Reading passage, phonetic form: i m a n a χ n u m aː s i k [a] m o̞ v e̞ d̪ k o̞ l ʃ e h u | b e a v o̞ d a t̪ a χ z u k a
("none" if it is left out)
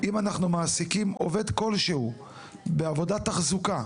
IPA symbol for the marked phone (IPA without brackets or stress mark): i